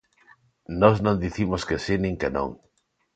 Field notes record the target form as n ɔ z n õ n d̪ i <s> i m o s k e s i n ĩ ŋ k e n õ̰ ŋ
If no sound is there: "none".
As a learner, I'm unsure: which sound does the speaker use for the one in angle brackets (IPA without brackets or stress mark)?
θ